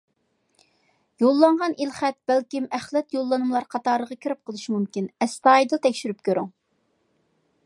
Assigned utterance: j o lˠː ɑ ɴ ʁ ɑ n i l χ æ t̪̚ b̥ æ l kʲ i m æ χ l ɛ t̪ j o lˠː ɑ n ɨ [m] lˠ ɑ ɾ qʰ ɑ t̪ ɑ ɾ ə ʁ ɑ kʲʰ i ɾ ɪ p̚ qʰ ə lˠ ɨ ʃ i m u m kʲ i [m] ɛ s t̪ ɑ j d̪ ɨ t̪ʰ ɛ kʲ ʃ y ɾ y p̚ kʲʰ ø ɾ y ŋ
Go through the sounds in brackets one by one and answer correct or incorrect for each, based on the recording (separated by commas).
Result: correct, incorrect